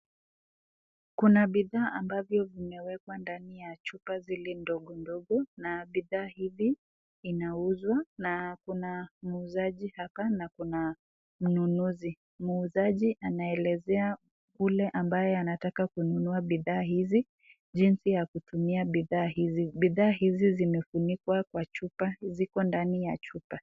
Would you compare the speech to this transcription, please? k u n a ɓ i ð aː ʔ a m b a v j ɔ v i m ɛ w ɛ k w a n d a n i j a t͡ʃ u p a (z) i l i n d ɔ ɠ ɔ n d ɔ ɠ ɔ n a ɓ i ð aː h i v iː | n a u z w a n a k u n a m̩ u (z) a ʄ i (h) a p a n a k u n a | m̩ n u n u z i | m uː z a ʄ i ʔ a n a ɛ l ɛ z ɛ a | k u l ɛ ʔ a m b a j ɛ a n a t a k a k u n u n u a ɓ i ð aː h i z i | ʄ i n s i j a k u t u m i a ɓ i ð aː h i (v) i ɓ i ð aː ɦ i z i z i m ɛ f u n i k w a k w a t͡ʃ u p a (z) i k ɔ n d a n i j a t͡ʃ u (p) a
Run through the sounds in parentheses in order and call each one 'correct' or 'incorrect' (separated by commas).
correct, correct, correct, incorrect, correct, correct